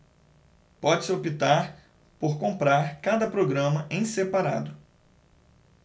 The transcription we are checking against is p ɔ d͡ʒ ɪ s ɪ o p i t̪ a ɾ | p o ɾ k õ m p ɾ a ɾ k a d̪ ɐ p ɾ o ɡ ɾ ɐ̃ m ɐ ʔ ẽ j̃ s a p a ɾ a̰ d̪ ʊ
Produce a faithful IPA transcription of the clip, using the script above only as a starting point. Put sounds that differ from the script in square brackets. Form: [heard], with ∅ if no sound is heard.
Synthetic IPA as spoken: p ɔ d͡ʒ ɪ s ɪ o p i t̪ a ɾ | p o ɾ k õ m p ɾ a ɾ k a d̪ ɐ p ɾ o ɡ ɾ ɐ̃ m ɐ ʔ ẽ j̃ s [e] p a ɾ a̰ d̪ ʊ